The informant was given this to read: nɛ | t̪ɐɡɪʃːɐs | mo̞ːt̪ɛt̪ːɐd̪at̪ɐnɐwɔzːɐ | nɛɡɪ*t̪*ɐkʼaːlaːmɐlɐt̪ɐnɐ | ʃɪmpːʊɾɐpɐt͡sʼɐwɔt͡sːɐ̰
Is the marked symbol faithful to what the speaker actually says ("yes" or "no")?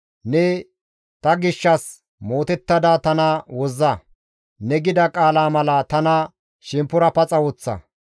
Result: no